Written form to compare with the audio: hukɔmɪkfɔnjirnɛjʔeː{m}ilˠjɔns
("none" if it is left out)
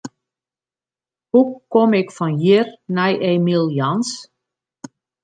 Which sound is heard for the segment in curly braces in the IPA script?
m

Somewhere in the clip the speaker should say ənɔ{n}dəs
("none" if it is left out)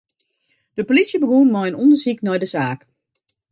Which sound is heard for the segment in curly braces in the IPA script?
n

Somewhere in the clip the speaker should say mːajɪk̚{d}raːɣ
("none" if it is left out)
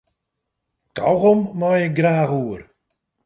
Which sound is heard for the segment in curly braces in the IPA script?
ɡ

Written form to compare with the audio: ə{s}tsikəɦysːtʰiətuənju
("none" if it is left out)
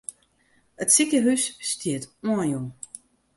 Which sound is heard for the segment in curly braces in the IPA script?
none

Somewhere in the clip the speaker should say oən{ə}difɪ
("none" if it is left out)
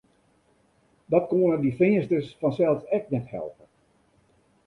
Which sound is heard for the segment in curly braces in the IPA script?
ə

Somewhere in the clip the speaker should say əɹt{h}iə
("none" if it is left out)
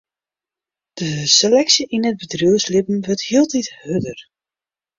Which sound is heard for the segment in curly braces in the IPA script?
h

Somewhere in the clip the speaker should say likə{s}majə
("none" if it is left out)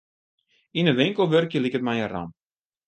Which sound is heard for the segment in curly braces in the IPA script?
t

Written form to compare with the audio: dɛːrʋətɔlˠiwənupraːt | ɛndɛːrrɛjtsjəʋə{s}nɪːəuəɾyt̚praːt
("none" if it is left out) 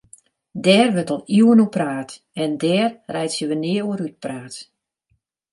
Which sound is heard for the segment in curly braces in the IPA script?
none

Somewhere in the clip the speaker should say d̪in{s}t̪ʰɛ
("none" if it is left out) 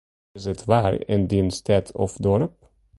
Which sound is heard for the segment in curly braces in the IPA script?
s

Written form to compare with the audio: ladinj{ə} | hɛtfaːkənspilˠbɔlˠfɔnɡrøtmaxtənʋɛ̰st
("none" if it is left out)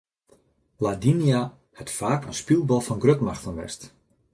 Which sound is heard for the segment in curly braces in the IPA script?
a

